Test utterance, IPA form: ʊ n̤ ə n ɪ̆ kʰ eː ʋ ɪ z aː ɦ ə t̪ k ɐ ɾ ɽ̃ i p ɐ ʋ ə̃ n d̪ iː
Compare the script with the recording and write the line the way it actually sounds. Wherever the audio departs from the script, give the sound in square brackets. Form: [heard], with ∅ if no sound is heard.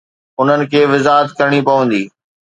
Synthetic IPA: ʊ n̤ ə n ɪ̆ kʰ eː ʋ ɪ z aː ɦ ə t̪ k ɐ ɾ ɽ̃ i p ɐ ʋ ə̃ n d̪ iː